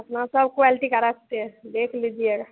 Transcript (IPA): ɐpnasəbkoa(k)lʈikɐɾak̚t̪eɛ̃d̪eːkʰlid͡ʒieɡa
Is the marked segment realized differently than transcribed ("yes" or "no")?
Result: yes